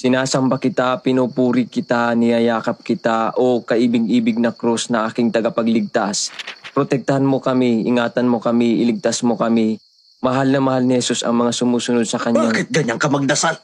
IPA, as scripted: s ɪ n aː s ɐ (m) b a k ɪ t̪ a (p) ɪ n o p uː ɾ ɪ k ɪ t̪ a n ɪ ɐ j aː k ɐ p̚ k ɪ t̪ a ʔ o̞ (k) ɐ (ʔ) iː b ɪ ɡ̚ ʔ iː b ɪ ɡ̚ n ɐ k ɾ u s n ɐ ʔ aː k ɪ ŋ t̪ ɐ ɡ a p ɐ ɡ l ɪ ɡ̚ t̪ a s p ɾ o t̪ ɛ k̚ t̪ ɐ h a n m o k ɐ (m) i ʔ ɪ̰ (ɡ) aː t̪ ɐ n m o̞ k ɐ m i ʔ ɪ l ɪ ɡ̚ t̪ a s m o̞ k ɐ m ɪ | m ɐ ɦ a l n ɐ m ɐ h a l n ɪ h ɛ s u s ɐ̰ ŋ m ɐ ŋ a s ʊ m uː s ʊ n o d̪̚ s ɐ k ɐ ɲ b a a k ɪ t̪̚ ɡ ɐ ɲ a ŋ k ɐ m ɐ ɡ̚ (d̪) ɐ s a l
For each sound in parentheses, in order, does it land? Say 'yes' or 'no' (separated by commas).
yes, yes, yes, yes, yes, no, yes